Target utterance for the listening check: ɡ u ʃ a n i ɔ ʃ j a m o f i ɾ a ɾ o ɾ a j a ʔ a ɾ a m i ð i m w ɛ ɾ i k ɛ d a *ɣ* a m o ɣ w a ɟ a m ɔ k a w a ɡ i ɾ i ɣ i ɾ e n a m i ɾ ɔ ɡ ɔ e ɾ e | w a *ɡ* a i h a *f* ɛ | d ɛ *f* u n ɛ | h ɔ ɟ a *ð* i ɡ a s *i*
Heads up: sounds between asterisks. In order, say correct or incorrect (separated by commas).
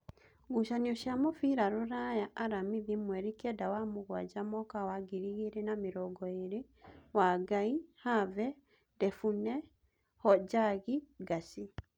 incorrect, correct, incorrect, correct, incorrect, correct